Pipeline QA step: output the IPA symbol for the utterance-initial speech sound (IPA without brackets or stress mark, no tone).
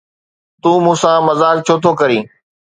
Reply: t̪